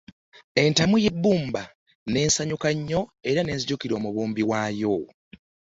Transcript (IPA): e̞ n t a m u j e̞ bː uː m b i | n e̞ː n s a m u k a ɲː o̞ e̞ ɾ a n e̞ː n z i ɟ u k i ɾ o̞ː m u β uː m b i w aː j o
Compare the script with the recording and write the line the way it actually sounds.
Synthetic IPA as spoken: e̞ n t a m u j e̞ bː uː m b a | n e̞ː n s a ɲ u k a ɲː o̞ e̞ ɾ a n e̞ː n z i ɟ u k i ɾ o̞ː m u β uː m b i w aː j o